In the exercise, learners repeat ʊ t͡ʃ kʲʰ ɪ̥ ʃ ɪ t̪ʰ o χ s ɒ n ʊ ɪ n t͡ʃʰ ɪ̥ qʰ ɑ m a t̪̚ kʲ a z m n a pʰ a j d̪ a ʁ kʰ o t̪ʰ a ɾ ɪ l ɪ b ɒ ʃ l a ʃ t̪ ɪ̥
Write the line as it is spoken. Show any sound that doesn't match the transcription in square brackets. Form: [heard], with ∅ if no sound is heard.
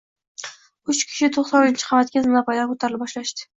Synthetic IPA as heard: ʊ t͡ʃ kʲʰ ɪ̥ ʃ ɪ t̪ʰ o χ s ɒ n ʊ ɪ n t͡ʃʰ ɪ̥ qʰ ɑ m a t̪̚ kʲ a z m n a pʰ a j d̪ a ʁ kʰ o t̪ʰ a ɾ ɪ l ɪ b ɒ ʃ l a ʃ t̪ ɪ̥

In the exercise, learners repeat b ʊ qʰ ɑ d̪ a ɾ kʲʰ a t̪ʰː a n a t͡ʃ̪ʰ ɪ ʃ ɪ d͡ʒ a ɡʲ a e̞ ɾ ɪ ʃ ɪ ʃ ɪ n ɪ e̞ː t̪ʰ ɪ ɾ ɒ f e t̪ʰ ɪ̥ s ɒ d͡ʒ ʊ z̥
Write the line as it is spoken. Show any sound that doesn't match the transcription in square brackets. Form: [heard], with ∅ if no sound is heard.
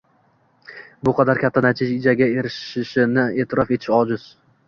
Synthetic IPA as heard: b ʊ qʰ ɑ d̪ a ɾ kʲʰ a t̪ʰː a n a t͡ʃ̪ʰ ɪ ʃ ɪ d͡ʒ a ɡʲ a e̞ ɾ ɪ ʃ ɪ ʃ ɪ n ɪ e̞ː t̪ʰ ɪ ɾ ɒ f e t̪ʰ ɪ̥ [ʃ] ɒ d͡ʒ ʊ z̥

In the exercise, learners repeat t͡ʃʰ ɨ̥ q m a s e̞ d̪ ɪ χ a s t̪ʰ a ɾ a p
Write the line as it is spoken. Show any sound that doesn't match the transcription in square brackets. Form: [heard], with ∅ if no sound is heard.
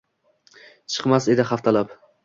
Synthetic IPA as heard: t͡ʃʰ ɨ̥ q m a s e̞ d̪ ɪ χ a [f] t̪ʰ a [l] a p

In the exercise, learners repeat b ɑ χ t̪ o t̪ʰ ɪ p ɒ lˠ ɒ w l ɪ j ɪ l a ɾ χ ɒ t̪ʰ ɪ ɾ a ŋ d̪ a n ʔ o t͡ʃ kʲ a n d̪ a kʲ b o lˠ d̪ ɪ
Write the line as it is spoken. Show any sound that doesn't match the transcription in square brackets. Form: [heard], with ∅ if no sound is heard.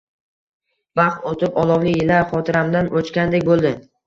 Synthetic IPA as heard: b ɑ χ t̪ o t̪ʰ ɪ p ɒ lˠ ɒ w l ɪ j ɪ l a ɾ χ ɒ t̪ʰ ɪ ɾ a [m] d̪ a n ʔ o t͡ʃ kʲ a n d̪ [e] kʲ b o lˠ d̪ ɪ

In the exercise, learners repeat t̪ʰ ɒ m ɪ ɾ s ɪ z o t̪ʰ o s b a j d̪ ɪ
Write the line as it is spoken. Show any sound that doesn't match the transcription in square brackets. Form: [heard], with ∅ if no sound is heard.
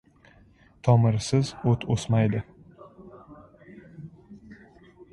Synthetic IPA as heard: t̪ʰ ɒ m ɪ ɾ s ɪ z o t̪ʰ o s [m] a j d̪ ɪ

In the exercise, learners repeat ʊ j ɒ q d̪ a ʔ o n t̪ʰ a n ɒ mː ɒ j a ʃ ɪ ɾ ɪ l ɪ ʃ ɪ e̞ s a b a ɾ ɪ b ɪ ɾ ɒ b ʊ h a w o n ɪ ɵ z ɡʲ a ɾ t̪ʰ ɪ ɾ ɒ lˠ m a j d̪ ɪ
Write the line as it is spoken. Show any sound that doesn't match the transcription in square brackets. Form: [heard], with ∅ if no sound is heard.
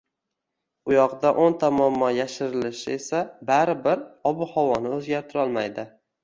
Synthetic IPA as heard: ʊ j ɒ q d̪ a ʔ o n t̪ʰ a [m] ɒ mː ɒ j a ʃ ɪ ɾ ɪ l ɪ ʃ ɪ e̞ s a b a ɾ ɪ b ɪ ɾ ɒ b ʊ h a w [ɒ] n ɪ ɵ z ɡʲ a ɾ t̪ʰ ɪ ɾ ɒ lˠ m a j d̪ ɪ

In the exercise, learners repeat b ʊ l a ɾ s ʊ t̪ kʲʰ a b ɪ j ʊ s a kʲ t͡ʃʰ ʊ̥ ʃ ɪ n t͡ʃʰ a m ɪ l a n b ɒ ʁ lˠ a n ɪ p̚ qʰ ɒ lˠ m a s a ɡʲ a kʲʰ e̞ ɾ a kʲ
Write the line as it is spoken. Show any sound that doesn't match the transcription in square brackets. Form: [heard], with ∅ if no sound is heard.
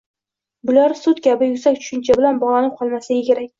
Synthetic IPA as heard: b ʊ l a ɾ s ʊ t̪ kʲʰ a b ɪ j ʊ s a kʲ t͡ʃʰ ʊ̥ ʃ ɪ n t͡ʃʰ a [b] ɪ l a n b ɒ ʁ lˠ a n ɪ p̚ qʰ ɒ lˠ m a s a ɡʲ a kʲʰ e̞ ɾ a kʲ

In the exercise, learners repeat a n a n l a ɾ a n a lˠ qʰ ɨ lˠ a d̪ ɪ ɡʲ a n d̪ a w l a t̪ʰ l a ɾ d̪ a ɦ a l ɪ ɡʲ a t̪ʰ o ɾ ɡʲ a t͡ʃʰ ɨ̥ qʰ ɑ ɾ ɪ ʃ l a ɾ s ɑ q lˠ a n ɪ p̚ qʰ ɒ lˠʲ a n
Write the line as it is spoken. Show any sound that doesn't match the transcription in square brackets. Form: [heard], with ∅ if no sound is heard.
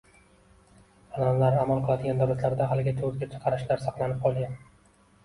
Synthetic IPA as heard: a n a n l a ɾ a [m] a lˠ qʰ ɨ lˠ a d̪ ɪ ɡʲ a n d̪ a w l a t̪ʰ l a ɾ d̪ a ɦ a l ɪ ɡʲ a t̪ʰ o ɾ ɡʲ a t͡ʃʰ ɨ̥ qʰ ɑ ɾ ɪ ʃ l a ɾ s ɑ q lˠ a n ɪ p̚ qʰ ɒ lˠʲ a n

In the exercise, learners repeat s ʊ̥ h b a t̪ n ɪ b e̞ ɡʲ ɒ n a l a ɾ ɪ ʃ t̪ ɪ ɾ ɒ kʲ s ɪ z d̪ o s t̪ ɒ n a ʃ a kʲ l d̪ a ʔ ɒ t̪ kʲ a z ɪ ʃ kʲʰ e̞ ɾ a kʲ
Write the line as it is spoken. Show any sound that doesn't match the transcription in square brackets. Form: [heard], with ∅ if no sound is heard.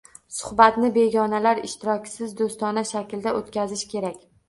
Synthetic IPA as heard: s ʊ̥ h b a t̪ n ɪ b e̞ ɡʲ ɒ n a l a ɾ ɪ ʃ t̪ ɪ ɾ ɒ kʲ s ɪ z d̪ o s t̪ ɒ n a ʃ a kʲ l d̪ a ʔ [o] t̪ kʲ a z ɪ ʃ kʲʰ e̞ ɾ a kʲ

